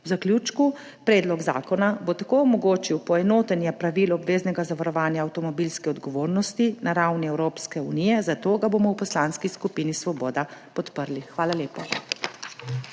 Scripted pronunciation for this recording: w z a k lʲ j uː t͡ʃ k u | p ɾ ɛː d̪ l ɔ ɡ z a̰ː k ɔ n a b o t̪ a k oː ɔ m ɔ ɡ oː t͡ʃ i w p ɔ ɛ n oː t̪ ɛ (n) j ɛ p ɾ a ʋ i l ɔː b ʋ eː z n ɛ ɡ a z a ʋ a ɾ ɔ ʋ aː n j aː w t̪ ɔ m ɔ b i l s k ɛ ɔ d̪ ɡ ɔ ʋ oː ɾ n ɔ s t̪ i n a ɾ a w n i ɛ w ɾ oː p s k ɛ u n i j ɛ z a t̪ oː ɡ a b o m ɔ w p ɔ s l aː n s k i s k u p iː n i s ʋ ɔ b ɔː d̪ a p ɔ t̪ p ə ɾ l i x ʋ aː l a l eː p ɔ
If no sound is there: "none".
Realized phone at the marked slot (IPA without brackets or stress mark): n